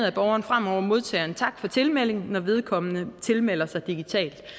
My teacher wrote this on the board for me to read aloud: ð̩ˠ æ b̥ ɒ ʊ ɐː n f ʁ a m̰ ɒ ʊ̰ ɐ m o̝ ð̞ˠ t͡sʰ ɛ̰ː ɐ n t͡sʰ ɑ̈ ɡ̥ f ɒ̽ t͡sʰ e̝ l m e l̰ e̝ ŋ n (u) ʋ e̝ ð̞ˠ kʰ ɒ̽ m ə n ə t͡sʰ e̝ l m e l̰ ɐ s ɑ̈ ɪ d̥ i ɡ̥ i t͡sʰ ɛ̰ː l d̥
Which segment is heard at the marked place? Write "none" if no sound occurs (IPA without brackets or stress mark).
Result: ɒ